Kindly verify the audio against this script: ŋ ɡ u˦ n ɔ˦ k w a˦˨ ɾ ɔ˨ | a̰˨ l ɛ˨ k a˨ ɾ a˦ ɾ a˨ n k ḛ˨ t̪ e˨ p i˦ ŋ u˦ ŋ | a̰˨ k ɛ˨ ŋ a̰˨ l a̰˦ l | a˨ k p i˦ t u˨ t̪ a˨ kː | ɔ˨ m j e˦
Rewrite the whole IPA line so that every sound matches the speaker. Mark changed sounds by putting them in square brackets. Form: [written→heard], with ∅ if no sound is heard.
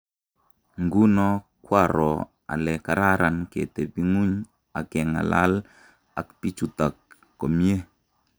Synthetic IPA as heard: ŋ ɡ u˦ n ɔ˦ k w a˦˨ ɾ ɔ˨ | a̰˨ l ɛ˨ k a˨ ɾ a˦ ɾ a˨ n k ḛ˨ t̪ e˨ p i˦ ŋ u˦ [ŋ→ɲ] | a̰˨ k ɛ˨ ŋ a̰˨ l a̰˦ l | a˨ k p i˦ [t→t͡ʃ] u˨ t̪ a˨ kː | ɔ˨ m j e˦